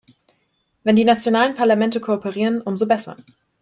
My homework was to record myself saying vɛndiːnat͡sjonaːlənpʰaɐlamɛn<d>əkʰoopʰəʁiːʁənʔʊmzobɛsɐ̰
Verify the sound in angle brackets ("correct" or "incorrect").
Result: incorrect